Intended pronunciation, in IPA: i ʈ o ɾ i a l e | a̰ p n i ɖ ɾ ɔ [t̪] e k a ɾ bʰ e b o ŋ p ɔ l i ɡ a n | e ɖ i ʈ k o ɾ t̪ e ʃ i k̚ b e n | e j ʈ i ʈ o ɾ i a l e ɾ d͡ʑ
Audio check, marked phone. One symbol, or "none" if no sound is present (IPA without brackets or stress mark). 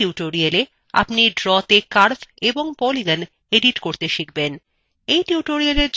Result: t̪